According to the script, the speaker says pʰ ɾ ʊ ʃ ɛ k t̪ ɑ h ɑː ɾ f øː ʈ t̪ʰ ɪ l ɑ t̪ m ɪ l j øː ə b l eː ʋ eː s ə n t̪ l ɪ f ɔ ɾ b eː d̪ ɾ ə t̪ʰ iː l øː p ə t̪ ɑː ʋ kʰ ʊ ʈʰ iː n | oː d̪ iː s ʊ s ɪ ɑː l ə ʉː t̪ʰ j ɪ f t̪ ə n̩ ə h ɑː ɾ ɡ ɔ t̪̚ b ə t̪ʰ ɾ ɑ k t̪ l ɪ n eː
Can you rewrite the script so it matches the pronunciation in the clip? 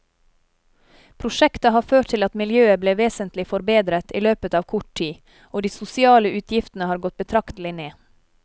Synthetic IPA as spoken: pʰ ɾ ʊ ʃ ɛ k t̪ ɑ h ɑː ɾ f øː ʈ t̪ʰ ɪ l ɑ t̪ m ɪ l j øː ə b l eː ʋ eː s ə n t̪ l ɪ f ɔ ɾ b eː d̪ ɾ ə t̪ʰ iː l øː p ə t̪ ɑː ʋ kʰ ʊ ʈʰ iː | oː d̪ iː s ʊ s ɪ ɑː l ə ʉː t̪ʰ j ɪ f t̪ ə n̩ ə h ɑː ɾ ɡ ɔ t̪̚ b ə t̪ʰ ɾ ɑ k t̪ l ɪ n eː